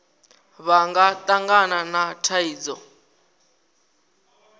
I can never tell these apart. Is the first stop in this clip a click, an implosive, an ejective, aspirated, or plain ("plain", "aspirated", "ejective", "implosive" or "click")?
plain